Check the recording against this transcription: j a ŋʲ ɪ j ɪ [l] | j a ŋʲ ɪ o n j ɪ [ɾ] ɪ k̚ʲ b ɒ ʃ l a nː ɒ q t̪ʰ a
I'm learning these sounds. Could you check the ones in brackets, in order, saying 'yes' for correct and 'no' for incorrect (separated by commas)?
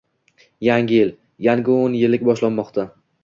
yes, no